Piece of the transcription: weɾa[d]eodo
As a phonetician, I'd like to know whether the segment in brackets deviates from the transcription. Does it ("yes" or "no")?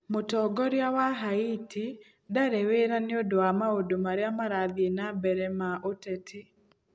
yes